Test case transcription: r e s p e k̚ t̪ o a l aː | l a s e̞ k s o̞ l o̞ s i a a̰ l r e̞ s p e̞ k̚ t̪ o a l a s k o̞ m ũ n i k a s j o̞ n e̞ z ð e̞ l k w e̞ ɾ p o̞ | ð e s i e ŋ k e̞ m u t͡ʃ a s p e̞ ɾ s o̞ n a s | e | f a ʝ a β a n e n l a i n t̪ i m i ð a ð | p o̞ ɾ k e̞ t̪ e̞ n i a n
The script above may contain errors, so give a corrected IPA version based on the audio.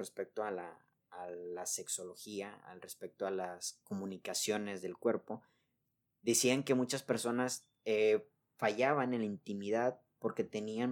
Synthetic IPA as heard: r e s p e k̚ t̪ o a l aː | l a s e̞ k s o̞ l o̞ x i a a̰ l r e̞ s p e̞ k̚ t̪ o a l a s k o̞ m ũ n i k a s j o̞ n e̞ z ð e̞ l k w e̞ ɾ p o̞ | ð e s i a ŋ k e̞ m u t͡ʃ a s p e̞ ɾ s o̞ n a s | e | f a ʝ a β a n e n l a i n t̪ i m i ð a ð | p o̞ ɾ k e̞ t̪ e̞ n i a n